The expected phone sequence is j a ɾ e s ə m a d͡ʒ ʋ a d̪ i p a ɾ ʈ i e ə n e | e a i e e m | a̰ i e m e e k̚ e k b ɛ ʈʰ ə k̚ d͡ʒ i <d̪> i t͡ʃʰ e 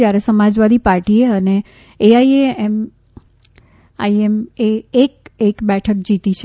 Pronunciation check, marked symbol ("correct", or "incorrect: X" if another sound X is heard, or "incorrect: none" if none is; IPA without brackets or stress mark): incorrect: t̪